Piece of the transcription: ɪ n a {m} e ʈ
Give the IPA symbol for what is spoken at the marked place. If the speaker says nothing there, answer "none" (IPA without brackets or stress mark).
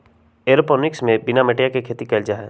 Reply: m